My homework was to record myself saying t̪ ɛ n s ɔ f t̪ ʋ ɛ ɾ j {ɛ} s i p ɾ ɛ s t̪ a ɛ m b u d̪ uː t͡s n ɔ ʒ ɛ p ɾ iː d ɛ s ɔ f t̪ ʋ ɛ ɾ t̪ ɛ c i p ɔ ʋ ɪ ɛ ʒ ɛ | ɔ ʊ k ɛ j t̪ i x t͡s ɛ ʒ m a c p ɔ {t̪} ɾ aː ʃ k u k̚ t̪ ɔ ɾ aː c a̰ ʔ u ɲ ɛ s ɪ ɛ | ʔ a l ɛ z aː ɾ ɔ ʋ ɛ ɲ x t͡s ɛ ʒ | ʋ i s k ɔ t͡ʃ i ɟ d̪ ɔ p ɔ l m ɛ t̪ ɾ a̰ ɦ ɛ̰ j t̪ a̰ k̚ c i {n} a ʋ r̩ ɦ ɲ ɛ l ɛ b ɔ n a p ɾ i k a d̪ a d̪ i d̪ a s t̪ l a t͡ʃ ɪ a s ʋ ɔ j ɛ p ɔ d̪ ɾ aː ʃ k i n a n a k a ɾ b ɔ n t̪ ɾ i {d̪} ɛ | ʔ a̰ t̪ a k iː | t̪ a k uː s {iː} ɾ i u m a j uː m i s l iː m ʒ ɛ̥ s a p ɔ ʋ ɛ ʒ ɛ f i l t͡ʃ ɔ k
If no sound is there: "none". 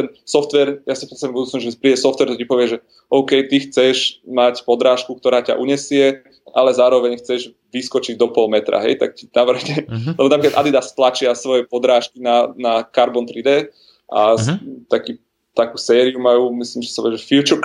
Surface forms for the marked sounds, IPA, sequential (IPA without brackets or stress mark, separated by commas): a, d̪, n, d̪, ɛː